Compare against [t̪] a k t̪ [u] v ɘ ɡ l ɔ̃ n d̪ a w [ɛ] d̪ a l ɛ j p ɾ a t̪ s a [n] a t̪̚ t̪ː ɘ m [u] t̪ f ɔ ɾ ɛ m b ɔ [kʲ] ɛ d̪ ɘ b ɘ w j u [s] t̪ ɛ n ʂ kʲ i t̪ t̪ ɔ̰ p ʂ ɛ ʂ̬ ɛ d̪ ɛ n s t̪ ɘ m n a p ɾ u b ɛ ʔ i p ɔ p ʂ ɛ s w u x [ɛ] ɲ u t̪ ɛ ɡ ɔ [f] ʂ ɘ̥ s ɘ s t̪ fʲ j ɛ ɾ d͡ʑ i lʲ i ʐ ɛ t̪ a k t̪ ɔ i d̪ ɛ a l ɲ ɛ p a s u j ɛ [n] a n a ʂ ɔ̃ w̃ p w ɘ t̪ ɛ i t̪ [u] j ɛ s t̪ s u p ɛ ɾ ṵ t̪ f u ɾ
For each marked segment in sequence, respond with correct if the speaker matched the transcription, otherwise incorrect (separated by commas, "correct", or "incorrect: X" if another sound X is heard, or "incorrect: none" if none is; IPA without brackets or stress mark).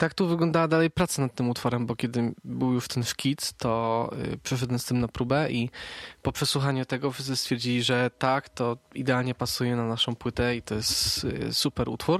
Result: correct, correct, incorrect: a, correct, correct, correct, incorrect: ʂ, incorrect: a, correct, correct, incorrect: ɔ